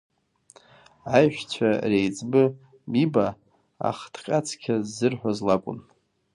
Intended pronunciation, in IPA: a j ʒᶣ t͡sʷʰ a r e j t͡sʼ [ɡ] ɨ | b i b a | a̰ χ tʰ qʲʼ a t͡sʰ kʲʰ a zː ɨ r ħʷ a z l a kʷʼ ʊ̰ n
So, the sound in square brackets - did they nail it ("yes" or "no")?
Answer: no